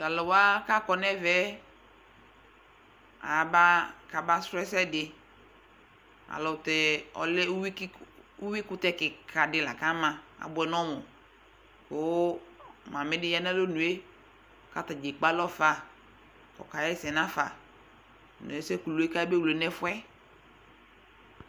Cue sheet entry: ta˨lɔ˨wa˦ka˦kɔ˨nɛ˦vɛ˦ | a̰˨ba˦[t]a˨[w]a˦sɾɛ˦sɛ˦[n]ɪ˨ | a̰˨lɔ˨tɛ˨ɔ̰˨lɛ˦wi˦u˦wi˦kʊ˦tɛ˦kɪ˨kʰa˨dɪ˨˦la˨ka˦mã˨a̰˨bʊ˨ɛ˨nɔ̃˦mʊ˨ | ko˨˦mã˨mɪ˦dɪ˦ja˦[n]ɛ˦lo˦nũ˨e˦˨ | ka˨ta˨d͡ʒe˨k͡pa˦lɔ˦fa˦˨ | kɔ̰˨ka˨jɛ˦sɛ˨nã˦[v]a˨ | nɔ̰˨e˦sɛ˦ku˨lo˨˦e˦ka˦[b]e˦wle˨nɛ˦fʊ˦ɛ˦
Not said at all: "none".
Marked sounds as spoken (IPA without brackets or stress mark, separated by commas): k, b, d, n, f, b